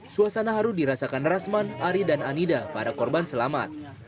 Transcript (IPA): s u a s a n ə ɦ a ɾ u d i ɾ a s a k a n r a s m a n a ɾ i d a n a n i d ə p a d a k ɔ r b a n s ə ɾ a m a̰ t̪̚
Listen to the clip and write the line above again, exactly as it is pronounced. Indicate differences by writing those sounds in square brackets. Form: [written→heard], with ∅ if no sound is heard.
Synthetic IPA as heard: s u a s a n [ə→a] ɦ a ɾ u d i ɾ a s a k a n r a s m a n a ɾ i d a n a n i d [ə→a] p a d a k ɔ r b a n s ə [ɾ→l] a m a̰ t̪̚